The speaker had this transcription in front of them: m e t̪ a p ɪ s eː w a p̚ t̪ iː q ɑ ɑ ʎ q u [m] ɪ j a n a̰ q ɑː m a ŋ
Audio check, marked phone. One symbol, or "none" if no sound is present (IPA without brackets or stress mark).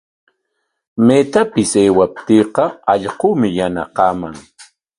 m